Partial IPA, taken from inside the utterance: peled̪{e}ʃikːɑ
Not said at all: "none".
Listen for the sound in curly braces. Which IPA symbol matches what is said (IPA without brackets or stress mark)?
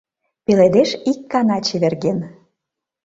e